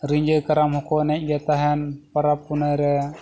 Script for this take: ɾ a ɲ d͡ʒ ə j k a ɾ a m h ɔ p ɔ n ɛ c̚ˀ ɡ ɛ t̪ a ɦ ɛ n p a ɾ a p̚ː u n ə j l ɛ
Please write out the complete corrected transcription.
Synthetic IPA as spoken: ɾ i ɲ d͡ʒ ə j k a ɾ a m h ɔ k ɔ n ɛ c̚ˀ ɡ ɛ t̪ a ɦ ɛ n p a ɾ a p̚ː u n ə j ɾ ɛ